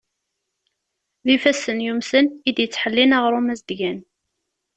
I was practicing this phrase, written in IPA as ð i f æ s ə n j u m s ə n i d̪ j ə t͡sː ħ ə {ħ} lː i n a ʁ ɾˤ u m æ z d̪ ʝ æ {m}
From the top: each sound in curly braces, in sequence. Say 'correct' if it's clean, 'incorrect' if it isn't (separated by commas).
incorrect, incorrect